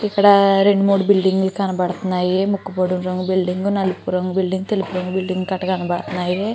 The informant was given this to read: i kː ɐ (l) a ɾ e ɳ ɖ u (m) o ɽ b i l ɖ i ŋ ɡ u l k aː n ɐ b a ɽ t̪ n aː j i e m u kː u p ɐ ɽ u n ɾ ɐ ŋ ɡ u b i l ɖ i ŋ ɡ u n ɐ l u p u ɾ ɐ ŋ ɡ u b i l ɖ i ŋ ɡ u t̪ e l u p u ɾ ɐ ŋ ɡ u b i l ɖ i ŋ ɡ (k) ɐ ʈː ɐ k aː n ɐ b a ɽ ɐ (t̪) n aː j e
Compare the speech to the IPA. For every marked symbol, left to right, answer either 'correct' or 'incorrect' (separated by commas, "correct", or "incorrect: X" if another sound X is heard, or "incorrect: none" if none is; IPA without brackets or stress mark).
incorrect: ɽ, correct, correct, correct